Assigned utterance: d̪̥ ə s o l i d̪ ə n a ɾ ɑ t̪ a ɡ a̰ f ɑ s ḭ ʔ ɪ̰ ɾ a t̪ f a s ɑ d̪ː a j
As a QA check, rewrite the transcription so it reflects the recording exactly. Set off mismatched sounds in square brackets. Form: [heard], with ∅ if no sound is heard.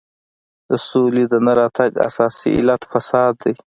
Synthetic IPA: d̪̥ ə s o l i d̪ ə n a ɾ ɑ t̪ a ɡ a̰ [s] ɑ s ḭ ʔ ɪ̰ [l] a t̪ f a s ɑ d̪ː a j